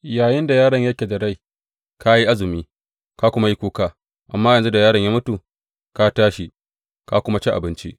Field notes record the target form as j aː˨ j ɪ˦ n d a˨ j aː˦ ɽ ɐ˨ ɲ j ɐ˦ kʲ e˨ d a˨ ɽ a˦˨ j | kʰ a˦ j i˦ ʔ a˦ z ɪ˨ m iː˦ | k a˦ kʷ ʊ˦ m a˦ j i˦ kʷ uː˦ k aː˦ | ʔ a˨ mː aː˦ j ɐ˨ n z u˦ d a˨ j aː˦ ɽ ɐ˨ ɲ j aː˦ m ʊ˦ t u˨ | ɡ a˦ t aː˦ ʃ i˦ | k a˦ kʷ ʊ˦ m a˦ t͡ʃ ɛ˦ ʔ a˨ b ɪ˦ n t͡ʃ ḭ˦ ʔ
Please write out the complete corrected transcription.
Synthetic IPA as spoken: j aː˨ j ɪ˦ n d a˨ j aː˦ ɽ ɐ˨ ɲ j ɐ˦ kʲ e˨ d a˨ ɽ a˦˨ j | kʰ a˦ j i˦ ʔ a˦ z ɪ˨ m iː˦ | k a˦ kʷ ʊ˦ m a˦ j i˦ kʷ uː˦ k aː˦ | ʔ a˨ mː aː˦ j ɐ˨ n z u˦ d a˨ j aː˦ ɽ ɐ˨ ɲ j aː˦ m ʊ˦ t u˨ | k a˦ t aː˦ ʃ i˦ | k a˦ kʷ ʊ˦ m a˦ t͡ʃ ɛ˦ ʔ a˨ b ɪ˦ n t͡ʃ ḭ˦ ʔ

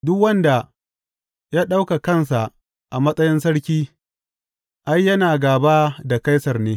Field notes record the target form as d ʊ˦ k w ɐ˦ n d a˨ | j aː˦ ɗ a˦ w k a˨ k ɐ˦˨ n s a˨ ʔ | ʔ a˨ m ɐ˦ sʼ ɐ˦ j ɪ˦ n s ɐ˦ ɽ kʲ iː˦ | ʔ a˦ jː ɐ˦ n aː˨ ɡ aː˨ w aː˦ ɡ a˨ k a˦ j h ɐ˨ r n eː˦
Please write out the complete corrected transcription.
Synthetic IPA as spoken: d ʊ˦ k w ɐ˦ n d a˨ | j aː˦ ɗ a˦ w k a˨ k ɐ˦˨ n s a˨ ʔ | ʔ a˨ m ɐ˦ sʼ ɐ˦ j ɪ˦ n s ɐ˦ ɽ kʲ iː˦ | ʔ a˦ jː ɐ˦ n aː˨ ɡ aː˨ b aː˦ d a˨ k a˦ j s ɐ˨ r n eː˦

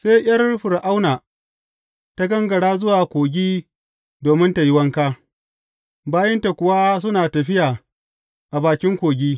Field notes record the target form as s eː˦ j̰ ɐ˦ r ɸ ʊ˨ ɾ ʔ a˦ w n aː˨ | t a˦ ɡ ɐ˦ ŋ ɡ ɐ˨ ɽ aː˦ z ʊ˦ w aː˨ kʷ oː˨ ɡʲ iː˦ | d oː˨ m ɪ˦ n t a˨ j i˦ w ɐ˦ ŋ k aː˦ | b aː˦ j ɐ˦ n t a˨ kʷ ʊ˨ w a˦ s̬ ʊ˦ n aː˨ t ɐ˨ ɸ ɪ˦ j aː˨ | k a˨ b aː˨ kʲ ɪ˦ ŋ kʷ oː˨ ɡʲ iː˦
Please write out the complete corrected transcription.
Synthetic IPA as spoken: s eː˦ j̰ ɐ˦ r ɸ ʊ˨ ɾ ʔ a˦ w n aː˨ | t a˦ ɡ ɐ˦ ŋ ɡ ɐ˨ ɽ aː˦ z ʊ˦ w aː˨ kʷ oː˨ ɡʲ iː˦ | d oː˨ m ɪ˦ n t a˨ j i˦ w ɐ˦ ŋ k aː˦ | b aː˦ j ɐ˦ n t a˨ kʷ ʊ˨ w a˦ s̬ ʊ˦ n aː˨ t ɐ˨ ɸ ɪ˦ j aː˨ | ʔ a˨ b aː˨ kʲ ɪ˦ ŋ kʷ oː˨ ɡʲ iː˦

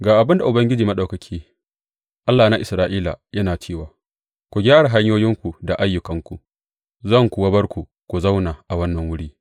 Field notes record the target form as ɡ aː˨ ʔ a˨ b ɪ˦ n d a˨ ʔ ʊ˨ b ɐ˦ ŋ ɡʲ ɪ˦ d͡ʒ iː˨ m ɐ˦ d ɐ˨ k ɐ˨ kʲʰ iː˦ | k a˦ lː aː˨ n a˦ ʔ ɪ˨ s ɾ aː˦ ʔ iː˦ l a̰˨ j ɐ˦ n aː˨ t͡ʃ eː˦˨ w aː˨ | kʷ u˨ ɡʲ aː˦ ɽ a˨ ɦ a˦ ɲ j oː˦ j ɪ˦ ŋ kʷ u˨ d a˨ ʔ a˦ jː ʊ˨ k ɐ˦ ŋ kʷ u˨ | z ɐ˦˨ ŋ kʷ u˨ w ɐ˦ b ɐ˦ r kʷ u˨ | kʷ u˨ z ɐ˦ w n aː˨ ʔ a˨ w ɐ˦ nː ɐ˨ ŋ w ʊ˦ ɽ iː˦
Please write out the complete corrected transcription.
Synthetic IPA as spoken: ɡ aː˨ ʔ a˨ b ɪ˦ n d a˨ ʔ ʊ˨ b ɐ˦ ŋ ɡʲ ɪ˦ d͡ʒ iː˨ m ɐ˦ ɗ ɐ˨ k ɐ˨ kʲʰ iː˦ | ʔ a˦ lː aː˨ n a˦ ʔ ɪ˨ s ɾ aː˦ ʔ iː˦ l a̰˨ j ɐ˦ n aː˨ t͡ʃ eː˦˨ w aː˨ | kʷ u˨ ɡʲ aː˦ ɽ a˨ ɦ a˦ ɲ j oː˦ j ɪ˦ ŋ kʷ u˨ d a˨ ʔ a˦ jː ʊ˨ k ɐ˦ ŋ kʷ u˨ | z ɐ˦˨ ŋ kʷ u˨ w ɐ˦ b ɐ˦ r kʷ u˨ | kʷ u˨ z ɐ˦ w n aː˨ ʔ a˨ w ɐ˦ nː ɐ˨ ŋ w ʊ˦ ɽ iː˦

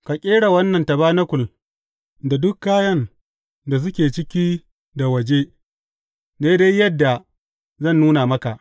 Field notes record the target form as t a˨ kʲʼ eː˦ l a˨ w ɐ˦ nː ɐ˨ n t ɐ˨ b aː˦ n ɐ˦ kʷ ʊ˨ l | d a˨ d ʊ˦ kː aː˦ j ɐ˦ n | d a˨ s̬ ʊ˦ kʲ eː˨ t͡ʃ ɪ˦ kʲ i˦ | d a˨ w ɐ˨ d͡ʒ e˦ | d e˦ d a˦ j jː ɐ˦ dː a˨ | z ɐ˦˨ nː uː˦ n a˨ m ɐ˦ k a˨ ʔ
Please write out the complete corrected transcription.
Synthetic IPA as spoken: k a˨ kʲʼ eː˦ ɽ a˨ w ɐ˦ nː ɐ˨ n t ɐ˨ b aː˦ n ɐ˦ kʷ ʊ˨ l | d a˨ d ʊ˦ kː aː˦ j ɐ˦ n | d a˨ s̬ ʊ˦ kʲ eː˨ t͡ʃ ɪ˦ kʲ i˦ | d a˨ w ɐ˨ d͡ʒ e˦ | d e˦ d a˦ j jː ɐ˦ dː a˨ | z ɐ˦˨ nː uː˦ n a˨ m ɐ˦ k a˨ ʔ

